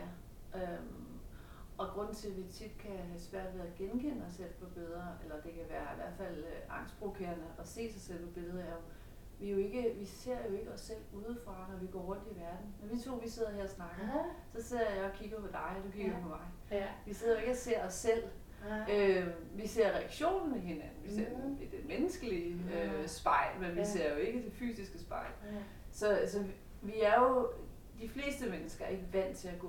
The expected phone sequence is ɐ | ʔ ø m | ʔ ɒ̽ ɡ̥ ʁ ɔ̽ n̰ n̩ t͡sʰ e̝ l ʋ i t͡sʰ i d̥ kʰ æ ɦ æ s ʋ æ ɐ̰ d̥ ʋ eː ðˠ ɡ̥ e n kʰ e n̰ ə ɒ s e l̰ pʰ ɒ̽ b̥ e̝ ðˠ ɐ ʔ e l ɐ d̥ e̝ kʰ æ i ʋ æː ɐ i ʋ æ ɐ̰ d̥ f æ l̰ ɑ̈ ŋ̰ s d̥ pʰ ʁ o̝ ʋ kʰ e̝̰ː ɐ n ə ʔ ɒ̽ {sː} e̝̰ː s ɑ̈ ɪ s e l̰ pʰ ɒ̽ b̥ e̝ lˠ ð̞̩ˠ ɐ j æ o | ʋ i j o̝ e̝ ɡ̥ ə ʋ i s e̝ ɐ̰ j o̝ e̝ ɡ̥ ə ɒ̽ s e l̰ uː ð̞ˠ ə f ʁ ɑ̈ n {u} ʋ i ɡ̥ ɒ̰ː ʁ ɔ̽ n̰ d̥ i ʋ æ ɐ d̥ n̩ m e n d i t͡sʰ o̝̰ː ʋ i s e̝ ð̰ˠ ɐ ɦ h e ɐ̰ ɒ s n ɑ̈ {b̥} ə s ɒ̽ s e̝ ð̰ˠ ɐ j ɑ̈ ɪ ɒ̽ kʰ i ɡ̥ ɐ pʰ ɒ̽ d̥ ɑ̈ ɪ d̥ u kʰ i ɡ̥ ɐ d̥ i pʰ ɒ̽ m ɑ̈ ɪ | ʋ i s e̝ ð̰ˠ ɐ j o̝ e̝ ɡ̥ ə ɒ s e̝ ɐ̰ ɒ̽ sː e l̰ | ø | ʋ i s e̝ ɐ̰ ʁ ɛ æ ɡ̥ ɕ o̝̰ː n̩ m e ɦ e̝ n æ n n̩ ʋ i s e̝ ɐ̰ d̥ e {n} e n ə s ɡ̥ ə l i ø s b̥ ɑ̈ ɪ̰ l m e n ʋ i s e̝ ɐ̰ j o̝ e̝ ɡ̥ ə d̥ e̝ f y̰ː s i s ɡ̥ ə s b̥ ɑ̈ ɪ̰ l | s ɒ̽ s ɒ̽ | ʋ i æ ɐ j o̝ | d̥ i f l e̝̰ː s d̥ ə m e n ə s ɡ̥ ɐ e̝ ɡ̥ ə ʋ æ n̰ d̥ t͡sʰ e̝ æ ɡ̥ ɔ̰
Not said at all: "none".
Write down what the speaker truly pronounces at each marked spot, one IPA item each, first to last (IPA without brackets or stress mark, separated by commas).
s, ɒ, ɡ̥, m